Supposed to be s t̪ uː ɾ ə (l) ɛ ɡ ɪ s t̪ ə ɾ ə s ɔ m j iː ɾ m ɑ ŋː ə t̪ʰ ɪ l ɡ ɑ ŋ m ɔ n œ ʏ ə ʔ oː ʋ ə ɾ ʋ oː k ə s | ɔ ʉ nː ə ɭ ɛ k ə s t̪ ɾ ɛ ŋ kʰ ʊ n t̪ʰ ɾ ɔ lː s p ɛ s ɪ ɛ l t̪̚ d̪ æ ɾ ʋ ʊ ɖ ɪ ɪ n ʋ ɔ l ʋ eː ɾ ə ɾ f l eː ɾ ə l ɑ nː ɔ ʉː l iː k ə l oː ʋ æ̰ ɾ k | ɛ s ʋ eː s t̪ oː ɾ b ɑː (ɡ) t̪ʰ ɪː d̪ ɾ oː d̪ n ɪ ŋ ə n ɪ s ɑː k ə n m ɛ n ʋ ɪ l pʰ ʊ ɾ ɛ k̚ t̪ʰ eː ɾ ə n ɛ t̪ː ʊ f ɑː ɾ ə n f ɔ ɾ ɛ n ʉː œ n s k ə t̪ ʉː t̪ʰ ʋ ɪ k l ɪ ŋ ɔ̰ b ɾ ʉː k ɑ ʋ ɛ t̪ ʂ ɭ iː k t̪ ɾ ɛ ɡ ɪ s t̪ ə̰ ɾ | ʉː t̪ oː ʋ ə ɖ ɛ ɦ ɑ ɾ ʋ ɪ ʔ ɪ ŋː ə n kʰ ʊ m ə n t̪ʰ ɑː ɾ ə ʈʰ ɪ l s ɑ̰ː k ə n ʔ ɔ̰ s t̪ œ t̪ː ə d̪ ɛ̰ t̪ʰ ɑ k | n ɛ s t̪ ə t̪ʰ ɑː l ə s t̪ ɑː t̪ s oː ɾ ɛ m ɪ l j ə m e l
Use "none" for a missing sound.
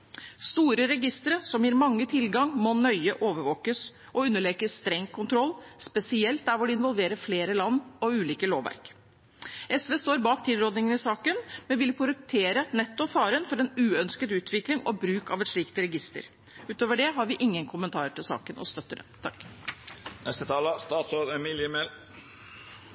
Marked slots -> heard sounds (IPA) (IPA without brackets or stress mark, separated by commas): ɾ, k